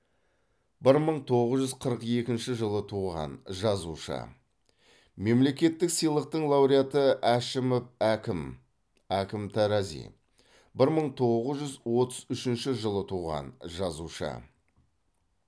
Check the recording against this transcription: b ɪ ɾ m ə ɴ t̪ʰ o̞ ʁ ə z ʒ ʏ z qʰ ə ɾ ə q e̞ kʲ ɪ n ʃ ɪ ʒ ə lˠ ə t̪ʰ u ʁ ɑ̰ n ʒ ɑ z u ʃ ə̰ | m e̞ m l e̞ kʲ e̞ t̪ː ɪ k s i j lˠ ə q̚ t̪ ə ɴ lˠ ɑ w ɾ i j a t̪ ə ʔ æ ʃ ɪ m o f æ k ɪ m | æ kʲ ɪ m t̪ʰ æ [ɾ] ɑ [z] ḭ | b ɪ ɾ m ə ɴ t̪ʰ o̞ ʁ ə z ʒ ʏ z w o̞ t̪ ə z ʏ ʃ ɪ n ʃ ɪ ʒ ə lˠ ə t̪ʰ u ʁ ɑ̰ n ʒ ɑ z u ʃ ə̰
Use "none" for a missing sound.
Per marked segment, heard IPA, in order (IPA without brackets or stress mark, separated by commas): ɾ, z